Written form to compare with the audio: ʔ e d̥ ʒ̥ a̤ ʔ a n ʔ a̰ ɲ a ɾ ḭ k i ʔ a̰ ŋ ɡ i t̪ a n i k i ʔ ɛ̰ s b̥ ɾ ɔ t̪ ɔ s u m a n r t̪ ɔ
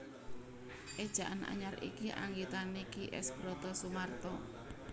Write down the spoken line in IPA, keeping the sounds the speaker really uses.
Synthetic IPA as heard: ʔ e d̥ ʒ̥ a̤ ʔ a n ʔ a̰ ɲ a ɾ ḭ k i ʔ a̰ ŋ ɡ i t̪ a n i k i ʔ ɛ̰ s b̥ ɾ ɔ t̪ ɔ s u m a r t̪ ɔ